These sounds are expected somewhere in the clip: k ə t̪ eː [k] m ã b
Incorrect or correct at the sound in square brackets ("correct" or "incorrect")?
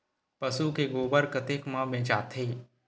correct